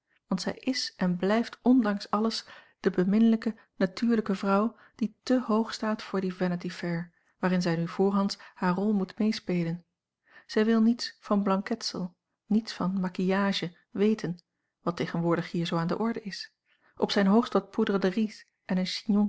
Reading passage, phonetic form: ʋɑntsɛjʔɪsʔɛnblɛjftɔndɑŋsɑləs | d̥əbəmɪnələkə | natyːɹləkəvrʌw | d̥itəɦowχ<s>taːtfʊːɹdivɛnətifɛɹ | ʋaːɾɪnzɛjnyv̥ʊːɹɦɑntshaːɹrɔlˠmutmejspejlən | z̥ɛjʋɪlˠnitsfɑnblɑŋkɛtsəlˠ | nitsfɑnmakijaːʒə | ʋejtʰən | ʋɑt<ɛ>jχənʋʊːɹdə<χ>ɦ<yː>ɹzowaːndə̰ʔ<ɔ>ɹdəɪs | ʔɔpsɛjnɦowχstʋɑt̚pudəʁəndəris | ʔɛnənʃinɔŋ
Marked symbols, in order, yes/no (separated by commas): yes, no, yes, no, yes